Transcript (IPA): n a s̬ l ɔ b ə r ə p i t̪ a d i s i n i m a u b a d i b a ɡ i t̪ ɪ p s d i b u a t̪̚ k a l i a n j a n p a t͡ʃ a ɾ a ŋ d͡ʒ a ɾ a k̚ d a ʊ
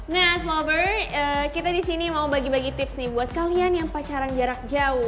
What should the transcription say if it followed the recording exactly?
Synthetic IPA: n a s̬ l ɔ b ə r ə k i t̪ a d i s i n i m a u b a ɡ i b a ɡ i t̪ ɪ p s n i b u a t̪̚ k a l i a n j a ŋ p a t͡ʃ a ɾ a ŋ d͡ʒ a ɾ a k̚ d͡ʒ a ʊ